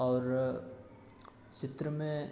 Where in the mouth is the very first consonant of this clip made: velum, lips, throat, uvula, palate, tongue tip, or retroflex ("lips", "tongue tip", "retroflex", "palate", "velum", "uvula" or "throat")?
tongue tip